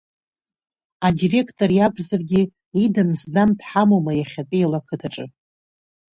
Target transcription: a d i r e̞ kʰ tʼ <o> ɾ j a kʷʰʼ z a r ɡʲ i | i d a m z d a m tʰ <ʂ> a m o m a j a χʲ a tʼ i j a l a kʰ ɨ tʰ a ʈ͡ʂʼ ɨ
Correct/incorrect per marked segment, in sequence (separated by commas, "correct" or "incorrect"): correct, incorrect